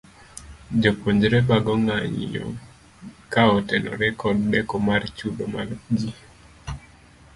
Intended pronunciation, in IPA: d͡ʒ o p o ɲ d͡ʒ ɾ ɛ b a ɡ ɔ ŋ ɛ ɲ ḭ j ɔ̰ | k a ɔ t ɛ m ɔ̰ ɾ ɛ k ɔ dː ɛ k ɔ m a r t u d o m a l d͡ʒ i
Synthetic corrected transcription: d͡ʒ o p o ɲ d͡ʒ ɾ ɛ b a ɡ ɔ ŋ a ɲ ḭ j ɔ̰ | k a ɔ t ɛ n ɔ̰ ɾ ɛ k ɔ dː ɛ k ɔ m a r t͡ʃ u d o m a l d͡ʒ i